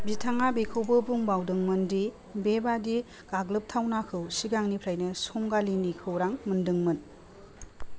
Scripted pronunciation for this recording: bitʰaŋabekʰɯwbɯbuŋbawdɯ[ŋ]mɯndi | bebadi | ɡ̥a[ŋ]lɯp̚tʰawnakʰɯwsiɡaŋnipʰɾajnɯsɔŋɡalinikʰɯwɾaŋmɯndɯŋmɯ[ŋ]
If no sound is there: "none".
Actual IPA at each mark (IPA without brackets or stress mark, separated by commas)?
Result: ŋ, ɡ, n